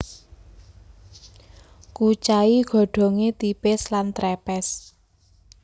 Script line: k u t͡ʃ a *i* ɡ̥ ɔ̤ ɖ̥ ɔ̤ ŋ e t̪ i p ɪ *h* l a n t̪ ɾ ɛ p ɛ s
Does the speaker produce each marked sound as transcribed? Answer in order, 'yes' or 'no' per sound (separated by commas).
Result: yes, no